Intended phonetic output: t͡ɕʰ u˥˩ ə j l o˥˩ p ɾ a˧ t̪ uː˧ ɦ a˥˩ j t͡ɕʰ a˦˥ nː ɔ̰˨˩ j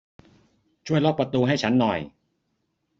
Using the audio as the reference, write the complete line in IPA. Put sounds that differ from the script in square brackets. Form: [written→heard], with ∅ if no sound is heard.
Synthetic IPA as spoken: t͡ɕʰ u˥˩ ə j l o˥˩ p ɾ a˧ t̪ uː˧ ɦ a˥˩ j t͡ɕʰ a˦˥ nː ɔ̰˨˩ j